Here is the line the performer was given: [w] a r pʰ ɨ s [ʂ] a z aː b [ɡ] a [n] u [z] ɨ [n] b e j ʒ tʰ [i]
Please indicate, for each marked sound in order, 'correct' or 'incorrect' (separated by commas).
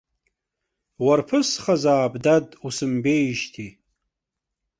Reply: correct, incorrect, incorrect, incorrect, incorrect, incorrect, correct